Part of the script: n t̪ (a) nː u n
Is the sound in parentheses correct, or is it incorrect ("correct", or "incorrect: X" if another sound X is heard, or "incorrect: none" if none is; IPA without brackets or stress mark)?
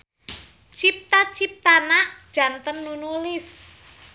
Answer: incorrect: ə